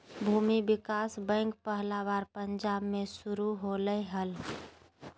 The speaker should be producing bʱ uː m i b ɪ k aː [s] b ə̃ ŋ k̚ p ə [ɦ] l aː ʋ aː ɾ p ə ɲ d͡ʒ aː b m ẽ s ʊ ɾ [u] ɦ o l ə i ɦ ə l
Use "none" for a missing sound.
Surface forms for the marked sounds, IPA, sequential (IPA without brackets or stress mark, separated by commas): s, ɦ, u